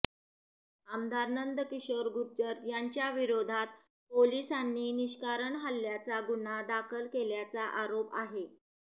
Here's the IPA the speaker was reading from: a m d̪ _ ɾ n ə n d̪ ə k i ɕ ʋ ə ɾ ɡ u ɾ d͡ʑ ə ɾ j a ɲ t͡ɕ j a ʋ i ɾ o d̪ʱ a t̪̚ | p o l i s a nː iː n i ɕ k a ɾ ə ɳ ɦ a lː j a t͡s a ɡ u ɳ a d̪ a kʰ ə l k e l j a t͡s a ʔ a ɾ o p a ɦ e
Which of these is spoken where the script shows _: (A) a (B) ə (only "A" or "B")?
A